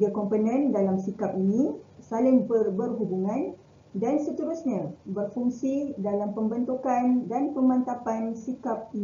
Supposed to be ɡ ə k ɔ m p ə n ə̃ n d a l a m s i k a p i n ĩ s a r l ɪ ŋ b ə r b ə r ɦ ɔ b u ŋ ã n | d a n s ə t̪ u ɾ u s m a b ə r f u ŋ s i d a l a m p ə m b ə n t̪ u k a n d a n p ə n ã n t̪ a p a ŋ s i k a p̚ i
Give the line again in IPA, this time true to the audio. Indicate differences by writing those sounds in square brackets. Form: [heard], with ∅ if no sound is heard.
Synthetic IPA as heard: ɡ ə k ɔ m p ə n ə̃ n d a l a m s i k a p i n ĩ s a [∅] l ɪ ŋ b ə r b ə r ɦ [u] b u ŋ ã n | d a n s ə t̪ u ɾ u s [ɲ] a b ə r f u ŋ s i d a l a m p ə m b ə n t̪ u k a n d a n p ə [m] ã n t̪ a p a [n] s i k a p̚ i